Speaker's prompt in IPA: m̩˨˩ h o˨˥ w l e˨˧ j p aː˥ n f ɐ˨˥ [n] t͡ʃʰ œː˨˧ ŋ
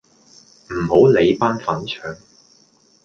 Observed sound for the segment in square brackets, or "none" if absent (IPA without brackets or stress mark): n